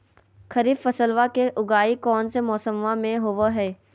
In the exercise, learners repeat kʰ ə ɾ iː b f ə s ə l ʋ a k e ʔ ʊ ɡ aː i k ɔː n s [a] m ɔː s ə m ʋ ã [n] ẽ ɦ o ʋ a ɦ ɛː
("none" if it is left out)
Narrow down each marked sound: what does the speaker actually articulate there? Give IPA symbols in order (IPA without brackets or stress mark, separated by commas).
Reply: e, m